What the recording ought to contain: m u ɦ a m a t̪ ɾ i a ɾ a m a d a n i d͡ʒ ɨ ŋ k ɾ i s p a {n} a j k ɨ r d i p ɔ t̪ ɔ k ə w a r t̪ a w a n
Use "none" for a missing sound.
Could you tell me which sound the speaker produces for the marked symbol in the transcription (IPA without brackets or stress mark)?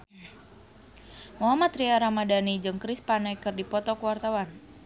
n